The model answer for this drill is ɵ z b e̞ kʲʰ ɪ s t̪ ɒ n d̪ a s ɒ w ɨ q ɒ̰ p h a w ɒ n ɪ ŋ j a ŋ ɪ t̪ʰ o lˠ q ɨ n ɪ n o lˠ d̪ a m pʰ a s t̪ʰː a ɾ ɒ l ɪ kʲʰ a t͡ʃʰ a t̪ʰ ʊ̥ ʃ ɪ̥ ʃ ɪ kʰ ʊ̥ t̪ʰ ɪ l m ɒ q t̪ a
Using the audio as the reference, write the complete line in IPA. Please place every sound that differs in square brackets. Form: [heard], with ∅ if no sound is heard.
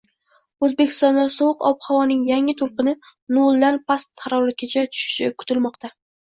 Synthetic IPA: ɵ z b e̞ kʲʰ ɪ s t̪ ɒ n d̪ a s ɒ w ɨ q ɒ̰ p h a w ɒ n ɪ ŋ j a ŋ ɪ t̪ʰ o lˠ q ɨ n ɪ n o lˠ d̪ a [n] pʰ a s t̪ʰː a ɾ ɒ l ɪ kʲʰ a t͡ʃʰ a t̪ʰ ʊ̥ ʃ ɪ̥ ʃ ɪ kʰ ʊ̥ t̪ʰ ɪ l m ɒ q t̪ a